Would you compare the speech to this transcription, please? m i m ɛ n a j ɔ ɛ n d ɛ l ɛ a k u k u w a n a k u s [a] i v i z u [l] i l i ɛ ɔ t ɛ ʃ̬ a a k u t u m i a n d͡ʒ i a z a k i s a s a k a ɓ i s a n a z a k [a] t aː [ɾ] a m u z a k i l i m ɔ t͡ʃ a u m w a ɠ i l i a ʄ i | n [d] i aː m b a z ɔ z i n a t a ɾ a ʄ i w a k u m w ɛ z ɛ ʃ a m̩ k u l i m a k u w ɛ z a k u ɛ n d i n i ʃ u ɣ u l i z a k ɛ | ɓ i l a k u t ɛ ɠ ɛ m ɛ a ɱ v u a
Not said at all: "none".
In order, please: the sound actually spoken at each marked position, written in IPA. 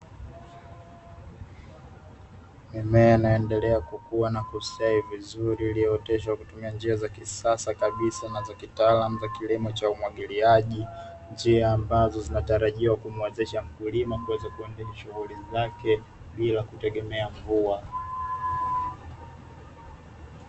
a, ɾ, i, l, d͡ʒ

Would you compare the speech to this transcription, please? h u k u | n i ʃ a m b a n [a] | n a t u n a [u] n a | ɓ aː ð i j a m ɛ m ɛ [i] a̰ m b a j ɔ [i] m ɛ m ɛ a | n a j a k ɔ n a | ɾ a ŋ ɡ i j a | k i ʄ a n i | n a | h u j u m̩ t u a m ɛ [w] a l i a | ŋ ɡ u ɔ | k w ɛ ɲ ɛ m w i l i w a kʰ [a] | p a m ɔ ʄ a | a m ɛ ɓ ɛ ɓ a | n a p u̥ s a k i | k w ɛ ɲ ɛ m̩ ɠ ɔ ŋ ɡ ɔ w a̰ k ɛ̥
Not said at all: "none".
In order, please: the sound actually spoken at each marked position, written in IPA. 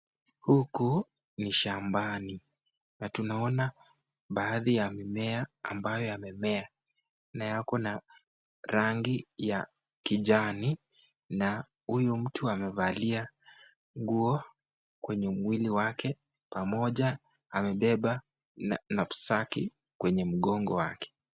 i, ɔ, a, a, v, ɛ

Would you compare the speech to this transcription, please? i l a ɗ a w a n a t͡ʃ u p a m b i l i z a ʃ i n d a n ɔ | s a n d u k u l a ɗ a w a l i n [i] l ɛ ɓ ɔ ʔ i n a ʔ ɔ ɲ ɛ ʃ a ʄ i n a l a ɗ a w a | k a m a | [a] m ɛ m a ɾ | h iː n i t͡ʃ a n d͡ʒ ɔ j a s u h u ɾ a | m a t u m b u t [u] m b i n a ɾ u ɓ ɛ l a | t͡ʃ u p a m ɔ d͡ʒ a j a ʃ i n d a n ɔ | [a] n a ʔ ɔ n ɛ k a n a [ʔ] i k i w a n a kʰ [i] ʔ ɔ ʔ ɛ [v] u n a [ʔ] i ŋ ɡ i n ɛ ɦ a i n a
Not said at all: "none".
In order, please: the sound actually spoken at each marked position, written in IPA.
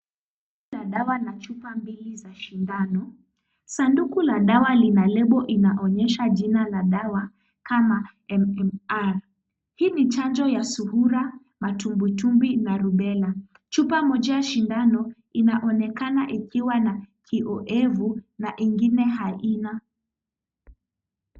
a, ɛ, u, i, ʔ, i, v, ʔ

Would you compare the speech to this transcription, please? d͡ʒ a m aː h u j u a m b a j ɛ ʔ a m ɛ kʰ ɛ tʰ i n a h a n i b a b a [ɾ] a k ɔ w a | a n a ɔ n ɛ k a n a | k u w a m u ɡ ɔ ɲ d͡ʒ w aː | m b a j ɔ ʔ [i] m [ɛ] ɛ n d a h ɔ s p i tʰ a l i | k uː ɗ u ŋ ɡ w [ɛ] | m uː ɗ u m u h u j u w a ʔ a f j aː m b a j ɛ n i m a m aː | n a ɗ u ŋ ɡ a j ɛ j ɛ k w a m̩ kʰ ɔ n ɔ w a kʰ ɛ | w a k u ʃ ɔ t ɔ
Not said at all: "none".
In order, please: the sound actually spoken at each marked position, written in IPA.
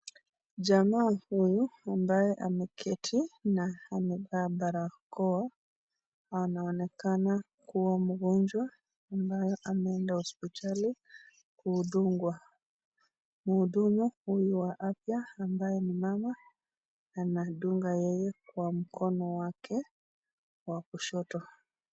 ɾ, a, ɛ, a

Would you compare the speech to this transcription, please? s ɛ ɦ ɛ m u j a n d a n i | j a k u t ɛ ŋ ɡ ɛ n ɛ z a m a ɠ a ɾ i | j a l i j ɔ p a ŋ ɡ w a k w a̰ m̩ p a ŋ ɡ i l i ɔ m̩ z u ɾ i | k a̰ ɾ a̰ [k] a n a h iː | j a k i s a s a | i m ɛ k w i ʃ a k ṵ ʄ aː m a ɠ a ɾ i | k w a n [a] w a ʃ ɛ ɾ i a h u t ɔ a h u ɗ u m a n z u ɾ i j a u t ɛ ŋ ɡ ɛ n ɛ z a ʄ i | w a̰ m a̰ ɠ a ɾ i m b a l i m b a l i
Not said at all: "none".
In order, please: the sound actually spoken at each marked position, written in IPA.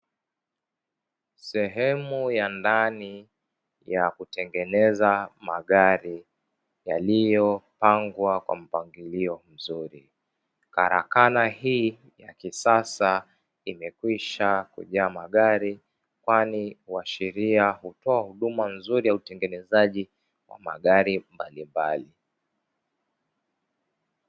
k, i

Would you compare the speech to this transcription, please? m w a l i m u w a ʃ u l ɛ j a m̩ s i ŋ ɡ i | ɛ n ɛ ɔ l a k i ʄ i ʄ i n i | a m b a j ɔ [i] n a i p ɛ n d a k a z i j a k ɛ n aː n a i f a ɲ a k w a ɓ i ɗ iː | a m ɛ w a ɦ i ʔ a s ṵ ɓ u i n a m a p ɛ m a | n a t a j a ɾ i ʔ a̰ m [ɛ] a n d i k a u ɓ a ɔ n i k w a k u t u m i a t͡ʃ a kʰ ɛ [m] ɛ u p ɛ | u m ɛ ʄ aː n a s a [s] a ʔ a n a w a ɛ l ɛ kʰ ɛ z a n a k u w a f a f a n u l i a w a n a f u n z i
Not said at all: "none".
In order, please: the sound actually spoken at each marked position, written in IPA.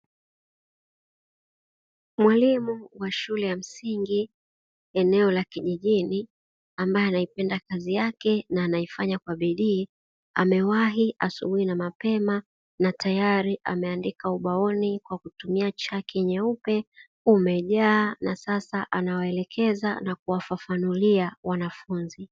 a, ɛ, ɲ, s

